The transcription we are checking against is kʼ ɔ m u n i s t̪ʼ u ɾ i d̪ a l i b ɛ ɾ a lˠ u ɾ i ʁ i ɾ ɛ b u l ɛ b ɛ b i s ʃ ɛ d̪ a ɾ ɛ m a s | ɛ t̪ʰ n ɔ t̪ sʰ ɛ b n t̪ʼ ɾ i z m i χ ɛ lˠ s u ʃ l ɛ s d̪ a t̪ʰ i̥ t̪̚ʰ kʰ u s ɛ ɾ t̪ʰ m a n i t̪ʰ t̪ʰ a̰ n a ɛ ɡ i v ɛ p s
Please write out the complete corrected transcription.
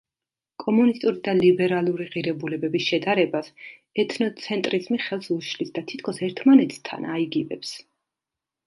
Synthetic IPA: kʼ ɔ m u n i s t̪ʼ u ɾ i d̪ a l i b ɛ ɾ a lˠ u ɾ i ʁ i ɾ ɛ b u l ɛ b ɛ b i s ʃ ɛ d̪ a ɾ ɛ b a s | ɛ t̪ʰ n ɔ t̪ sʰ ɛ n t̪ʼ ɾ i z m i χ ɛ lˠ s u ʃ l i s d̪ a t̪ʰ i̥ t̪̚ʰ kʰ ɔ s ɛ ɾ t̪ʰ m a n ɛ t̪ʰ t̪ʰ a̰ n a i ɡ i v ɛ p s